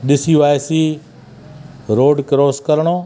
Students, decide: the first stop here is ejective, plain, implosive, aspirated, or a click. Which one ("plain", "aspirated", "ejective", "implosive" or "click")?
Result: implosive